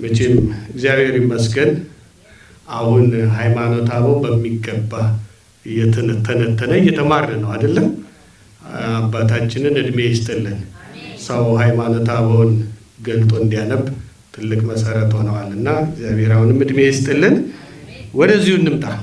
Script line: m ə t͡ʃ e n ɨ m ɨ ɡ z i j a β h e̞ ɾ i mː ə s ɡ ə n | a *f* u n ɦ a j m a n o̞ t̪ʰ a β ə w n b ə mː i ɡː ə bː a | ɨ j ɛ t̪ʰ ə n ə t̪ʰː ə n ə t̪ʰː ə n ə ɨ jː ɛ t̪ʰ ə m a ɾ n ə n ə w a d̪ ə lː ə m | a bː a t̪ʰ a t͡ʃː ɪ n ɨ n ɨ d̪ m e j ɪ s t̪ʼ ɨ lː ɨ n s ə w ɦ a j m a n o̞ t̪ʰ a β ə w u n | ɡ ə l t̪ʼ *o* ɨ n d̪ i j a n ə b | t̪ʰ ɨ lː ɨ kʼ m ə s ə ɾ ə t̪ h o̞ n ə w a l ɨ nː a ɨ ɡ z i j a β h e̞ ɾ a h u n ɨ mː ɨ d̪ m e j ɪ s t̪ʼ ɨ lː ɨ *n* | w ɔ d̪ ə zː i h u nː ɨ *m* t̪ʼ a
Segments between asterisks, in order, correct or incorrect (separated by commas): incorrect, correct, correct, correct